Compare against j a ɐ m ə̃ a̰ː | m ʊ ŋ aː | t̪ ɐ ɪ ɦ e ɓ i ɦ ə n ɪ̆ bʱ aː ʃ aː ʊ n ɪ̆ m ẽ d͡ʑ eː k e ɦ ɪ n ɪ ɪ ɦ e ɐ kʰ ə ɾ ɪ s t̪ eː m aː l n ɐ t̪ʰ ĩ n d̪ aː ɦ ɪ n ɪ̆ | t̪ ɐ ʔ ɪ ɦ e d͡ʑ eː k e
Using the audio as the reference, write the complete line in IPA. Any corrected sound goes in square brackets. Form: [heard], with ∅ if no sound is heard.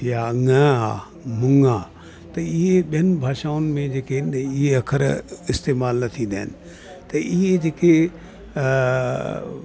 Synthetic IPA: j a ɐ [ŋ] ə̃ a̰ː | m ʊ ŋ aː | t̪ ɐ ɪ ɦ e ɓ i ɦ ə n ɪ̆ bʱ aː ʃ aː ʊ n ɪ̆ m ẽ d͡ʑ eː k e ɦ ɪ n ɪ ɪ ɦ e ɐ kʰ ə ɾ ɪ s t̪ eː m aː l n ɐ t̪ʰ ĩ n d̪ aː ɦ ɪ n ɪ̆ | t̪ ɐ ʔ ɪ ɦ e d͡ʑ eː k e

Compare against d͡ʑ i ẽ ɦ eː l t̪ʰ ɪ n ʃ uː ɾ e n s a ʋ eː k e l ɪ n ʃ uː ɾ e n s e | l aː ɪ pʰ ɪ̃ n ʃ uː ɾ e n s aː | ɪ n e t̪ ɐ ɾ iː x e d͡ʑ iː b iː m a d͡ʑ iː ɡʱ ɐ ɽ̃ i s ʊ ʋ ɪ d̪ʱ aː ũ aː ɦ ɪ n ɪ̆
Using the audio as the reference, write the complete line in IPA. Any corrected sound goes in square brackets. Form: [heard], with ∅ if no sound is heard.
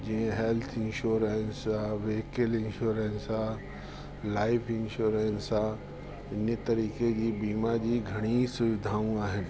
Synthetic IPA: d͡ʑ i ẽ ɦ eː l t̪ʰ ɪ n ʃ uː ɾ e n s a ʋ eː k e l ɪ n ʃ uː ɾ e n s [a] | l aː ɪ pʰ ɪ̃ n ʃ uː ɾ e n s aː | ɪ n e t̪ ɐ ɾ iː [k] e d͡ʑ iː b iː m a d͡ʑ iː ɡʱ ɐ ɽ̃ i s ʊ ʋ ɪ d̪ʱ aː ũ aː ɦ ɪ n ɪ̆

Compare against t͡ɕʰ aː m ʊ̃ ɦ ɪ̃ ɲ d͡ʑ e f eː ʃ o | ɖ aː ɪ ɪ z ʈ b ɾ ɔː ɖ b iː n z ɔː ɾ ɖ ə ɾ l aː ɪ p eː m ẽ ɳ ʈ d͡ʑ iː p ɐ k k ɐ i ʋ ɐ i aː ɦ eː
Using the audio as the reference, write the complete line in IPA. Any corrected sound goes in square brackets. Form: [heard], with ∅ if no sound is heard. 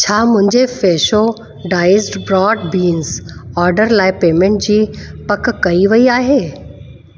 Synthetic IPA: t͡ɕʰ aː m ʊ̃ ɦ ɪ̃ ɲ d͡ʑ e f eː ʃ o | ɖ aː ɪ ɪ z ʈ b ɾ ɔː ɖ b iː n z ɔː ɾ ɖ ə ɾ l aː ɪ p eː m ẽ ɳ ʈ d͡ʑ iː p ɐ k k ɐ i ʋ ɐ i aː ɦ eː

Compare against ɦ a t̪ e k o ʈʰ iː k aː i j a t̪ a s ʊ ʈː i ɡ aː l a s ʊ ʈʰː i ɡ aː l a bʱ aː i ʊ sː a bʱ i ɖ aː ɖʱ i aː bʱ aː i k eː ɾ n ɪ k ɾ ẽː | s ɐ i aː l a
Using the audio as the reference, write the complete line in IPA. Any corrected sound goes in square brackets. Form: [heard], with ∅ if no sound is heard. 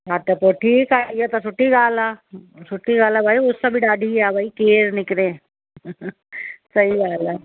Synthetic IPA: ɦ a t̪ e [p] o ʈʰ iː k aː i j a t̪ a s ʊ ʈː i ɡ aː l a s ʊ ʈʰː i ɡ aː l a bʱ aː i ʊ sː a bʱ i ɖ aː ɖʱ i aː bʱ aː i k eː ɾ n ɪ k ɾ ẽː | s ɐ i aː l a

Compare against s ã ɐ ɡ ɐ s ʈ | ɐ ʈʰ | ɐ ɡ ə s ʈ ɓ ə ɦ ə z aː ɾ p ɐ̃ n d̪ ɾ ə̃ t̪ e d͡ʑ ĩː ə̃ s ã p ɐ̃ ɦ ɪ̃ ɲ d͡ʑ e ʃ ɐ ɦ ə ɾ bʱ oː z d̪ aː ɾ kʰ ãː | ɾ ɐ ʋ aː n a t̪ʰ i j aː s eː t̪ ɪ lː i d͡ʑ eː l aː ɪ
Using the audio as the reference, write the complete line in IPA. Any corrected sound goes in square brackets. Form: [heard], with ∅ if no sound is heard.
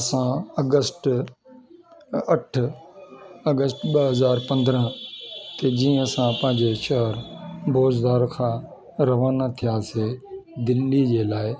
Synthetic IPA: s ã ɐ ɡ [ə] s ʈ | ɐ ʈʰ | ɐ ɡ ə s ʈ ɓ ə ɦ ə z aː ɾ p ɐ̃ n d̪ ɾ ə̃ t̪ e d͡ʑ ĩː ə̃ s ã p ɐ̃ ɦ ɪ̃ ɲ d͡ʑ e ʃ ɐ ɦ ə ɾ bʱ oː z d̪ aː ɾ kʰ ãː | ɾ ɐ ʋ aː n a t̪ʰ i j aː s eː [d̪] ɪ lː i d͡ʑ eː l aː ɪ

